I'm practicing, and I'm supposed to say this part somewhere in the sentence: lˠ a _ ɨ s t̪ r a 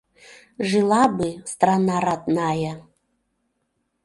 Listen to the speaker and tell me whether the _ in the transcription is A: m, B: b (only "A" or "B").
B